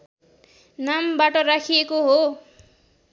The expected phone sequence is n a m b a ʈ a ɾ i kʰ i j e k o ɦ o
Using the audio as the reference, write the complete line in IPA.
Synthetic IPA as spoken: n a m b a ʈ ʌ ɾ a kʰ i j e k o ɦ o

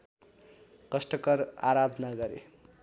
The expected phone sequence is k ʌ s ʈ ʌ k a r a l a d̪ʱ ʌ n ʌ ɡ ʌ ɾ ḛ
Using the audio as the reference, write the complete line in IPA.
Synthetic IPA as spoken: k ʌ s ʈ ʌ k ʌ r a ɾ a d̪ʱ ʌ n a ɡ ʌ ɾ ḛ

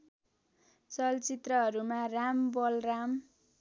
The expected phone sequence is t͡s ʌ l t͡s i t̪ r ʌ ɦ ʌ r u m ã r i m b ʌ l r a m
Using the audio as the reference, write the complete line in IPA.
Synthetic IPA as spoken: t͡s ʌ l t͡s i t̪ r ʌ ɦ ʌ ɾ u m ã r a m b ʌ l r a m

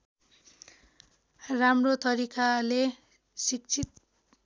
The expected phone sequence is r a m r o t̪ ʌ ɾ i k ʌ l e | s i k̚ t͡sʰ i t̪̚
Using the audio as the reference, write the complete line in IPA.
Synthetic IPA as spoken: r a m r o t̪ ʌ ɾ i k a l e | s i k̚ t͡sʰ i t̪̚

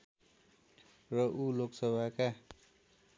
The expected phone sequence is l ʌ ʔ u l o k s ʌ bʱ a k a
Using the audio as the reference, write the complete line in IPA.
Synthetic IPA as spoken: r ʌ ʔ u l o k s ʌ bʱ a k a

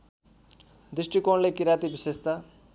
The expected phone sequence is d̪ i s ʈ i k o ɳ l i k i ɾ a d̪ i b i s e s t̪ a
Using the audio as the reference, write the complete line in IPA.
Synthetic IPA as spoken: d̪ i s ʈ i k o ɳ l e k i ɾ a t̪ i b i s e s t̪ a

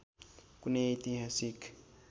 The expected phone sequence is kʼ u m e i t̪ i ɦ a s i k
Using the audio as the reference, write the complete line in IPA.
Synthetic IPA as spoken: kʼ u n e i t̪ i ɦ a s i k

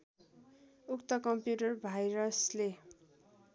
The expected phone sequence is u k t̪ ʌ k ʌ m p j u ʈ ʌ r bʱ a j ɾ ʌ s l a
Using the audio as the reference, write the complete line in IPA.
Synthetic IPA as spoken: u k t̪ ʌ k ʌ m p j u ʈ ʌ r bʱ a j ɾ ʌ s l e

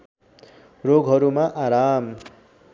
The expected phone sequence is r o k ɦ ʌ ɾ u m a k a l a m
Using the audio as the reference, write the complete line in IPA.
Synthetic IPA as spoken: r o ɡ ɦ ʌ ɾ u m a ʔ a ɾ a m

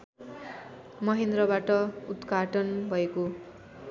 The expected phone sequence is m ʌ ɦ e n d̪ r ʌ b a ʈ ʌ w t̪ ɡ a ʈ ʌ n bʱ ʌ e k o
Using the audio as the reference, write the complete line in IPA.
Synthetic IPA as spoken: m ʌ ɦ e n d̪ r ʌ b a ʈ ʌ u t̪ ɡ a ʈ ʌ n bʱ ʌ e k o

